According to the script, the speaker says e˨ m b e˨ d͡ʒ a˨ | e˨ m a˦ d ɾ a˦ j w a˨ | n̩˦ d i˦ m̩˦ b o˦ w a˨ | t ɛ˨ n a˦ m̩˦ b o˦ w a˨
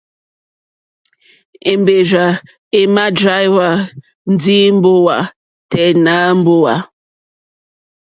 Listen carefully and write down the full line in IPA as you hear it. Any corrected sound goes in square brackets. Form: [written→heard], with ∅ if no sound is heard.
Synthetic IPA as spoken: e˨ m b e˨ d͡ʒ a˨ | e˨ m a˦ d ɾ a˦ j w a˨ | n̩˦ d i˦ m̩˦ b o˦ w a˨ | t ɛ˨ n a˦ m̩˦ b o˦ w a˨